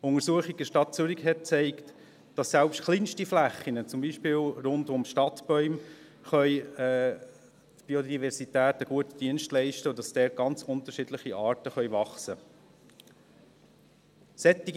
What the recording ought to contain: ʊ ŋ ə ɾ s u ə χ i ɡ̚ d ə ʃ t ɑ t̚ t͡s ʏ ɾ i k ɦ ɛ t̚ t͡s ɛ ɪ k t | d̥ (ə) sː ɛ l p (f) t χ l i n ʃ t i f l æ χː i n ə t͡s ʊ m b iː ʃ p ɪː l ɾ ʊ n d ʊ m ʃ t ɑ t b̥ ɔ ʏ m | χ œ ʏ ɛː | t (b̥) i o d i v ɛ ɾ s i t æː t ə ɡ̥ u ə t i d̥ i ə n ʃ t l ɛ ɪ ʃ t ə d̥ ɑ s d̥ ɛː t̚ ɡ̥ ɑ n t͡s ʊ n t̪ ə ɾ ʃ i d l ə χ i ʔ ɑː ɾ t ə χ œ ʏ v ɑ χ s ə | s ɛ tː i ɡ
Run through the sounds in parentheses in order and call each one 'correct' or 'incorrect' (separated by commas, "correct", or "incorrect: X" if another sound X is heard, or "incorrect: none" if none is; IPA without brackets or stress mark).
incorrect: ɑ, incorrect: ʃ, correct